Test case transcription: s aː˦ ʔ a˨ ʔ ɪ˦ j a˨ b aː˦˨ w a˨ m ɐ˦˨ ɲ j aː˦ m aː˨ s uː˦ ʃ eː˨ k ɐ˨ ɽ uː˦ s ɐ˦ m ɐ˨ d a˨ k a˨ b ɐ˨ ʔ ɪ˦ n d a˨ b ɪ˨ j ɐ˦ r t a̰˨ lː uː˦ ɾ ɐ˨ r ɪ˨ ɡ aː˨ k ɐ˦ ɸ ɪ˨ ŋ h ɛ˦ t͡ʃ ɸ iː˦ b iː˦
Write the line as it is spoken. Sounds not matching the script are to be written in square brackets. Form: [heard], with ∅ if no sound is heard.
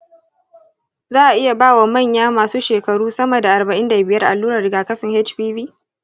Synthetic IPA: [z] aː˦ ʔ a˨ ʔ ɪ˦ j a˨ b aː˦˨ w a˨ m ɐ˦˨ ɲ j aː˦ m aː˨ s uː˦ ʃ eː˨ k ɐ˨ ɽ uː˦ s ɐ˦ m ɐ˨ d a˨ [ʔ] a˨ b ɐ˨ ʔ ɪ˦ n d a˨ b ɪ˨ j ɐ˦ r [ʔ] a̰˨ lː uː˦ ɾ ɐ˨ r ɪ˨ ɡ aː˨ k ɐ˦ ɸ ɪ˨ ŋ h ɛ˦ t͡ʃ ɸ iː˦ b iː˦